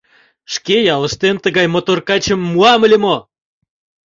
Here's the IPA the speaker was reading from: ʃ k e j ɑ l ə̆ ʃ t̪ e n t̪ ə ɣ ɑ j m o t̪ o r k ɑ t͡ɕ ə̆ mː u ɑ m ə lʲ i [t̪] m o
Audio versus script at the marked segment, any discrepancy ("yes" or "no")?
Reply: yes